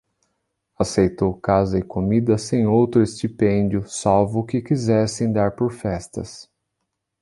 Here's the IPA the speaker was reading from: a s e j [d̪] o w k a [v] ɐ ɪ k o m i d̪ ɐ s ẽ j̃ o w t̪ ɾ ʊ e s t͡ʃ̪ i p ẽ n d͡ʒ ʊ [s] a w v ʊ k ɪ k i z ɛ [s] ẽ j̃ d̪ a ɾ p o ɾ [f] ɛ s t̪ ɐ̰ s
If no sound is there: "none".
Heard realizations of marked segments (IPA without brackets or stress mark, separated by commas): t̪, z, s, s, f